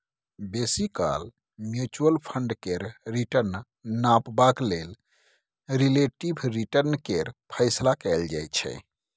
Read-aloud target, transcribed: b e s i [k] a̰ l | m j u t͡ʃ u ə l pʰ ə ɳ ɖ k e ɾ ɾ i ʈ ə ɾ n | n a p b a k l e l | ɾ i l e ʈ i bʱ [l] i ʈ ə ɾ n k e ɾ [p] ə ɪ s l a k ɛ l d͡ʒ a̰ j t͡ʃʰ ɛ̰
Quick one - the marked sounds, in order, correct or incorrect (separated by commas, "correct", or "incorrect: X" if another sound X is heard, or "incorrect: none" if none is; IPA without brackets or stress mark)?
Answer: correct, incorrect: ɾ, incorrect: pʰ